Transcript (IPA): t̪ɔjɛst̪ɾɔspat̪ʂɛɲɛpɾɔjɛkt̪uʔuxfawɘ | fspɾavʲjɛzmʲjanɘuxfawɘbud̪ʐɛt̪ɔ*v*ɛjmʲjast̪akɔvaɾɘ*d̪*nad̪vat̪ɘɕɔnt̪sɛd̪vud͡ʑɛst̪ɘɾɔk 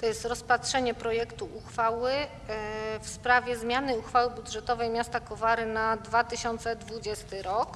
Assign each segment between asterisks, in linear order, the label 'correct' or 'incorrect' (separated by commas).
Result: correct, incorrect